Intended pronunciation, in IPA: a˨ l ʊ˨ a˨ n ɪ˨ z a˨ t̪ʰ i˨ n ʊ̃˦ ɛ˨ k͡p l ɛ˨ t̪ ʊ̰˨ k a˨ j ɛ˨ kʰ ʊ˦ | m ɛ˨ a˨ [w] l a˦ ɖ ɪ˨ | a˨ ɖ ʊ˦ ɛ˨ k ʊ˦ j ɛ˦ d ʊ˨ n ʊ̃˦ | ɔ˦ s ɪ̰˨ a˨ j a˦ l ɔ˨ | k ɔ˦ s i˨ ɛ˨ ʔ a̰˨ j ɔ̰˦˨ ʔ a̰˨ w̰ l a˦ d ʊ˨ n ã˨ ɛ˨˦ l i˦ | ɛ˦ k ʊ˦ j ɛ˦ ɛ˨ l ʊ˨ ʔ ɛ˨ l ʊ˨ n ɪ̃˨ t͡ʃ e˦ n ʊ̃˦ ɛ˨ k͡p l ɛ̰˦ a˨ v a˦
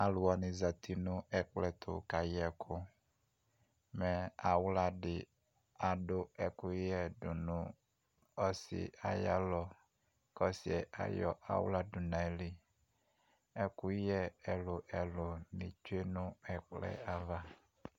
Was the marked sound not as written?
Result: no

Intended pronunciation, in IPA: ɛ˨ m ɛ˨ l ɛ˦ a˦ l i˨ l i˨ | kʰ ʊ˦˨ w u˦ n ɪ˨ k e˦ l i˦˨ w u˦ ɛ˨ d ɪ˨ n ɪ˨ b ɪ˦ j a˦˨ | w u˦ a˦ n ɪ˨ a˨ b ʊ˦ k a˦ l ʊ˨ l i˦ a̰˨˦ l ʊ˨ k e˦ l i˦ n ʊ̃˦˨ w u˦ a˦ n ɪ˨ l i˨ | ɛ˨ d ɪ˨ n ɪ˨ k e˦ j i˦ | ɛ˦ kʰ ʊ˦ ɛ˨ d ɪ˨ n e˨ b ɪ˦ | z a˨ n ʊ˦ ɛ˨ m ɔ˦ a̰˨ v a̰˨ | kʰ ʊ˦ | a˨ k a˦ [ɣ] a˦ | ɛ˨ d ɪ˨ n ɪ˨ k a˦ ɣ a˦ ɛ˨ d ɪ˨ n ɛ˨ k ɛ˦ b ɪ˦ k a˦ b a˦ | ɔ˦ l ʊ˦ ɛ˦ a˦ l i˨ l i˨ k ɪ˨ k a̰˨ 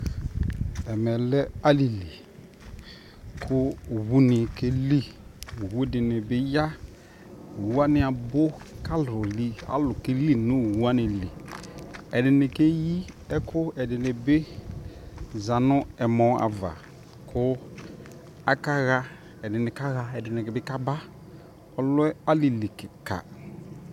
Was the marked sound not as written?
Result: no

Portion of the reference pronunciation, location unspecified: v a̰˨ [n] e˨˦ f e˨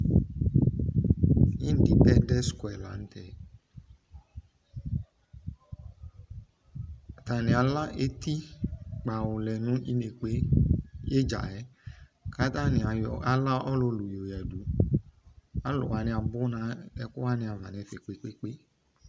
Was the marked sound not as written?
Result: no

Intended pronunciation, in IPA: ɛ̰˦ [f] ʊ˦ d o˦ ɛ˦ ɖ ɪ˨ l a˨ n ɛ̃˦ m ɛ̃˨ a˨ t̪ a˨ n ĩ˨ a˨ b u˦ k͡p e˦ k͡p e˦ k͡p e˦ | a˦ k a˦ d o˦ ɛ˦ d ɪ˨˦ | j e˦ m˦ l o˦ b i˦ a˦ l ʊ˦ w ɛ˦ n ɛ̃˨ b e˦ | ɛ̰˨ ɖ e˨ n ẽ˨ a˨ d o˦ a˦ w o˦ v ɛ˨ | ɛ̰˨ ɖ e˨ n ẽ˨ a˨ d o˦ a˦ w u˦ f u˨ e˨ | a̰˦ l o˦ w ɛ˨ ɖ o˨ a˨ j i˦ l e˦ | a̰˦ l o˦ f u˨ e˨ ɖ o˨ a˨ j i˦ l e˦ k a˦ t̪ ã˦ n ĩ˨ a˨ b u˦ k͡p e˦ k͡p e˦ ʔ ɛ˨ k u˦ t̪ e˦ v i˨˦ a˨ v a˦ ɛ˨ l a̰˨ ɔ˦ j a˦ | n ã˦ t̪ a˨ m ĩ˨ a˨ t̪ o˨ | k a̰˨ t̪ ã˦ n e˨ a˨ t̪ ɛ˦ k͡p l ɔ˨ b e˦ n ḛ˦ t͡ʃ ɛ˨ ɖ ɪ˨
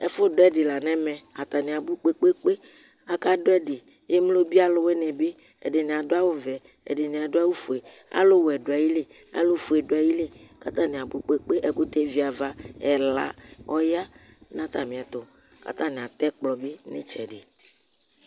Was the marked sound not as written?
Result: no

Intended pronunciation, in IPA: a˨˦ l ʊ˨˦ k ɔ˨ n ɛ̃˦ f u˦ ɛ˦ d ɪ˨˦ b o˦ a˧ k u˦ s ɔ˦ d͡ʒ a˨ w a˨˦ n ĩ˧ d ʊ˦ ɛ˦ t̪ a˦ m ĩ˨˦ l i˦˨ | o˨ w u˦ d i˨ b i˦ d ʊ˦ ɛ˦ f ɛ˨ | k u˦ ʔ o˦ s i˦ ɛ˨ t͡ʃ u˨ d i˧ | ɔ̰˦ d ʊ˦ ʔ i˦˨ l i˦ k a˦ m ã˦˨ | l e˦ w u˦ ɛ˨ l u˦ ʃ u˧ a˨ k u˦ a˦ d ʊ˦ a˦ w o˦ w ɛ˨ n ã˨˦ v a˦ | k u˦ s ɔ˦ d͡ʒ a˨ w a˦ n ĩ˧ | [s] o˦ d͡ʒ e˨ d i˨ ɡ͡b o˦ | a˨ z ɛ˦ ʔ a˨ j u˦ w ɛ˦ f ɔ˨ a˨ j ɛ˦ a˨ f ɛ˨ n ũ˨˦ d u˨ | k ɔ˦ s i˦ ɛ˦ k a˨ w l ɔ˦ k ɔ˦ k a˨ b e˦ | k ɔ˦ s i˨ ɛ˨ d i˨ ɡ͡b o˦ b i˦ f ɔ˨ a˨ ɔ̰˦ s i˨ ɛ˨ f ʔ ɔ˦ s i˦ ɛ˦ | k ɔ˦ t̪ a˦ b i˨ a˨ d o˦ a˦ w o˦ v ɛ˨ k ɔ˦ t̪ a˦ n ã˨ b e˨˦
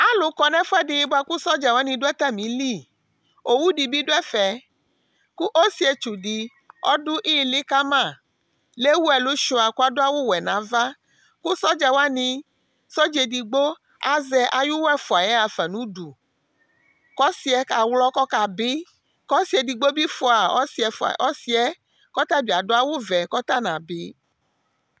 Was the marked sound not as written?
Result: no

